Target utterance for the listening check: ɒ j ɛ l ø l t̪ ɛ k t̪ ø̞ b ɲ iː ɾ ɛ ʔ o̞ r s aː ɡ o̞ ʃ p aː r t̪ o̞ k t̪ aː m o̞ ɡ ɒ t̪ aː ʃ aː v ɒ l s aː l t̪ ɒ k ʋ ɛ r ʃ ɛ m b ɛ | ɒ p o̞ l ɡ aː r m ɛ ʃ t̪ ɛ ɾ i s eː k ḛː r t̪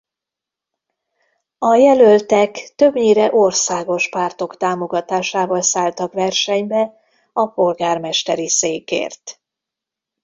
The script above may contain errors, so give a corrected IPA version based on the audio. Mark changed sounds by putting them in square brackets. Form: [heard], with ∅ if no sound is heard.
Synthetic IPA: ɒ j ɛ l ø l t̪ ɛ k t̪ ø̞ b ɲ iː ɾ ɛ ʔ o̞ r s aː ɡ o̞ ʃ p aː r t̪ o̞ k t̪ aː m o̞ ɡ ɒ t̪ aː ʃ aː v ɒ l s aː l t̪ ɒ k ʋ ɛ r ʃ ɛ [ɲ] b ɛ | ɒ p o̞ l ɡ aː r m ɛ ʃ t̪ ɛ ɾ i s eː k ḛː r t̪